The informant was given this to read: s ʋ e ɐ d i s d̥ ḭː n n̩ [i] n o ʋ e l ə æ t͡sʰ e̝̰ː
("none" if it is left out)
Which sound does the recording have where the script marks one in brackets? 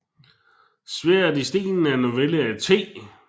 æ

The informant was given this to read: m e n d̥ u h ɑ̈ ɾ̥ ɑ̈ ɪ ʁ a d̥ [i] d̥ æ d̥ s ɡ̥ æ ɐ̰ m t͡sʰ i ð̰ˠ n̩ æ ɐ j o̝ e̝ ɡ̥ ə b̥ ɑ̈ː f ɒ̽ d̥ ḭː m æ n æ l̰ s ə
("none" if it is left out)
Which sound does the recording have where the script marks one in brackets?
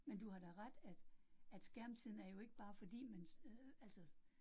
æ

